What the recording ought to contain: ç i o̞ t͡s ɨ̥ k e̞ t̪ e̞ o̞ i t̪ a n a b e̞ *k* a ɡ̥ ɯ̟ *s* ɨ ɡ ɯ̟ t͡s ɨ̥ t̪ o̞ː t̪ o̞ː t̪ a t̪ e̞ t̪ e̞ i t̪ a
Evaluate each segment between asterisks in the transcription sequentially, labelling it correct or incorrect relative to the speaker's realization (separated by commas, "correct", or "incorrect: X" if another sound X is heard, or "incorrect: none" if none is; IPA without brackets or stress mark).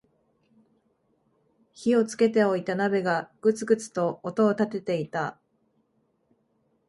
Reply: incorrect: ɡ, incorrect: t͡s